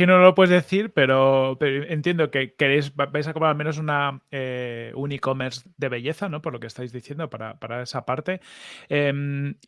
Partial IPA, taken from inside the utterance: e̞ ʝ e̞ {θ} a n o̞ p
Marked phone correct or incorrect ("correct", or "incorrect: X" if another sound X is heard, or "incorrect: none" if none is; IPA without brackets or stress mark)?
correct